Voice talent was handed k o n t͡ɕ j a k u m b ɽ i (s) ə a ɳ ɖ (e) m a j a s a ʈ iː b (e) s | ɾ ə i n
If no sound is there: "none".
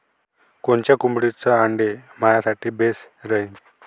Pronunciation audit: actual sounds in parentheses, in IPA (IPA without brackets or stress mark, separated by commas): t͡s, e, e